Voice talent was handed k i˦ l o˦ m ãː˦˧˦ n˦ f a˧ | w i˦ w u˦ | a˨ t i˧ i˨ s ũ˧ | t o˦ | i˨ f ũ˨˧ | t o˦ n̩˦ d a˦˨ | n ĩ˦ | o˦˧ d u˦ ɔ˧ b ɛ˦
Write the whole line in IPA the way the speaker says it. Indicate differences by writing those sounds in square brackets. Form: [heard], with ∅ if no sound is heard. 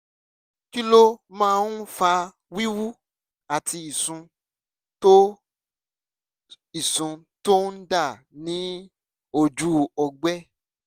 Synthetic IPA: k i˦ l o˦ m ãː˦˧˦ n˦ f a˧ | w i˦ w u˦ | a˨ t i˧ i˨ s ũ˧ | t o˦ | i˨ [s] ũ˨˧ | t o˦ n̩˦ d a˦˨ | n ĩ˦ | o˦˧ [d͡ʒ] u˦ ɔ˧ [ɡ͡b] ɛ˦